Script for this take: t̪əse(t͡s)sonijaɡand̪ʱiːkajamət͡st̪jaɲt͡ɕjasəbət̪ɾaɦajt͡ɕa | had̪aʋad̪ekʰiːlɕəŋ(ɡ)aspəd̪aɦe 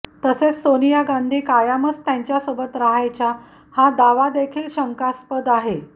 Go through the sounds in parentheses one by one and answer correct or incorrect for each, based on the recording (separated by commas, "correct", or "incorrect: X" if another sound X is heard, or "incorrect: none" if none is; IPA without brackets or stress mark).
correct, incorrect: k